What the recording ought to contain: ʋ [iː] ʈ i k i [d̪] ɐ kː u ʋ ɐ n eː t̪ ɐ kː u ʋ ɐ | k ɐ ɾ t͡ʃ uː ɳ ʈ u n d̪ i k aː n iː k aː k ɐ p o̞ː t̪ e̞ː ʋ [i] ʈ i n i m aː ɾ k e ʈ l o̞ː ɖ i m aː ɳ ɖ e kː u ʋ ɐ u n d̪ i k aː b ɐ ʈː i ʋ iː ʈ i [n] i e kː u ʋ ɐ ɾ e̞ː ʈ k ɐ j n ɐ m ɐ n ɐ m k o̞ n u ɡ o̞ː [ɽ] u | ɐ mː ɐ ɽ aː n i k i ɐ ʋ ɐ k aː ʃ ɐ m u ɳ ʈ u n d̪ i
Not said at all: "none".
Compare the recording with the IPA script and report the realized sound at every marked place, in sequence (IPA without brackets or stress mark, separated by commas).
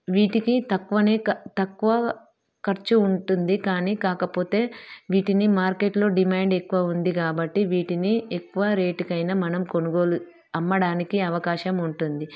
iː, t̪, iː, n, l